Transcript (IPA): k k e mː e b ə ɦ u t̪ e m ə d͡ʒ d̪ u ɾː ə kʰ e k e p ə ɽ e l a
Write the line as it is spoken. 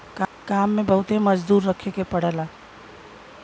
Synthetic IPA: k k a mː e b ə ɦ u t̪ e m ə d͡ʒ d̪ u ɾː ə kʰ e k e p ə ɽ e l a

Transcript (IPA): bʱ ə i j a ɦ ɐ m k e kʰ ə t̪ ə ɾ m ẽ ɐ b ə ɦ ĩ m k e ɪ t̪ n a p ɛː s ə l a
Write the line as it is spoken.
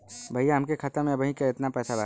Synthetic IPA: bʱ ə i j a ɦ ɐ m k e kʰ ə t̪ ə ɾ m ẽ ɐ b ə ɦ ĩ k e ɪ t̪ n a p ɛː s a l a

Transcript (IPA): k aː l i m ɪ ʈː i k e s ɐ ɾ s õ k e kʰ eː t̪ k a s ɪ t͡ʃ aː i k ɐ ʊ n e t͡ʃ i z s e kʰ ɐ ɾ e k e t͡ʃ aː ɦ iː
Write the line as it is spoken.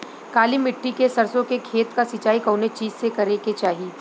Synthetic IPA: k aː l i m ɪ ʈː i k e s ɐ ɾ s õ k e kʰ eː t̪ k a s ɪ t͡ʃ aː i k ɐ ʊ n e t͡ʃ iː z s e k ɐ ɾ e k e t͡ʃ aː ɦ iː

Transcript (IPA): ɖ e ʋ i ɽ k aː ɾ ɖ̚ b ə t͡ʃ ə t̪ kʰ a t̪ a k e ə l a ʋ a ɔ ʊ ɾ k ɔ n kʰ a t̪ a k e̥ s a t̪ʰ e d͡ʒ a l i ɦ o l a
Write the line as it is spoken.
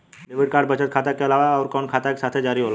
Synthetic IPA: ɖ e ʋ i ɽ k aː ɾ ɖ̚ b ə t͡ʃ ə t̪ kʰ a t̪ a k e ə l a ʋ a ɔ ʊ ɾ k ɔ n kʰ a t̪ a k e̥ s a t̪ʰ e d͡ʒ a ɾ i ɦ o l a

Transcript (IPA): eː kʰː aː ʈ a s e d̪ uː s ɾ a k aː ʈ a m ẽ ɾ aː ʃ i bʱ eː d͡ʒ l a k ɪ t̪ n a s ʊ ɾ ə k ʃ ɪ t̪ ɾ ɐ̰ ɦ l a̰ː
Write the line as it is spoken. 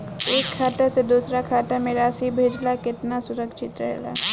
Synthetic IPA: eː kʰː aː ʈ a s e d̪ uː s ɾ a kʰ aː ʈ a m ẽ ɾ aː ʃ i bʱ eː d͡ʒ l a k ɪ t̪ n a s ʊ ɾ ə k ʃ ɪ t̪ ɾ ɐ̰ ɦ l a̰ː

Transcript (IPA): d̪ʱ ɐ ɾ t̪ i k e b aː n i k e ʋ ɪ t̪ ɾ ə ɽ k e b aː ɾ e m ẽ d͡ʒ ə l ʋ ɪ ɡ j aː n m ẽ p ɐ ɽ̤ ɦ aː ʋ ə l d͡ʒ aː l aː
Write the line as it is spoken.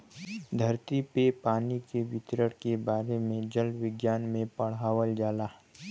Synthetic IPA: d̪ʱ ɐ ɾ t̪ i p e p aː n i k e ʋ ɪ t̪ ɾ ə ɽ k e b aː ɾ e m ẽ d͡ʒ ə l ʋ ɪ ɡ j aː n m ẽ p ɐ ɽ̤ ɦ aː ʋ ə l d͡ʒ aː l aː

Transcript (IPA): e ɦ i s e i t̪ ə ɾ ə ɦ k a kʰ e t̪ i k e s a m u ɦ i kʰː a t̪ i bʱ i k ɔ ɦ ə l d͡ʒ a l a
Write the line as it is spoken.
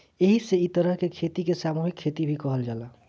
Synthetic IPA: e ɦ i s e i t̪ ə ɾ ə ɦ k e kʰ e t̪ i k e s a m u ɦ i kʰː e t̪ i bʱ i k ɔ ɦ ə l d͡ʒ a l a

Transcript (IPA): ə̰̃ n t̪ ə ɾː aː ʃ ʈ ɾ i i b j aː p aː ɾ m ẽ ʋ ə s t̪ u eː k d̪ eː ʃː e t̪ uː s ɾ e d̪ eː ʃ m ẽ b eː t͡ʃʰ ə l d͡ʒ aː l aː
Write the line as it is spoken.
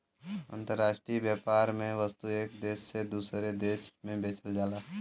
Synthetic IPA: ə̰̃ n t̪ ə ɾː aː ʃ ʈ ɾ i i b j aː p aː ɾ m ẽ ʋ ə s t̪ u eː k d̪ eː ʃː e d̪ uː s ɾ e d̪ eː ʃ m ẽ b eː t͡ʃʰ ə l d͡ʒ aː l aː

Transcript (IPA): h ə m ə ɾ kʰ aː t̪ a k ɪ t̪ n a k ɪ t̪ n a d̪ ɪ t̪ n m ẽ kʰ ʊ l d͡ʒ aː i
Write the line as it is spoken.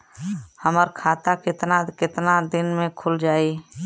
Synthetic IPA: h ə m ə ɾ kʰ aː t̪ a k ɪ t̪ n a k ɪ t̪ n a d̪ ɪ n m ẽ kʰ ʊ l d͡ʒ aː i

